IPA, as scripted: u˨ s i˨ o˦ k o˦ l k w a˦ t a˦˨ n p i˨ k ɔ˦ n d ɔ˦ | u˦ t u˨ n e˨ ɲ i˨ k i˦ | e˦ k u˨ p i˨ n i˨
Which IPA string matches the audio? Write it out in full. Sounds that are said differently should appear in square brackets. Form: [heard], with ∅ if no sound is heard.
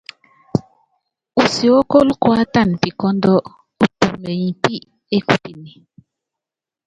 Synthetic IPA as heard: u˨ s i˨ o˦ k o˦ l k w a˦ t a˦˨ n p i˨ k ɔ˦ n d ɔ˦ | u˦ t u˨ [m] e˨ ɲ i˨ [p] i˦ | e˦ k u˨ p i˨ n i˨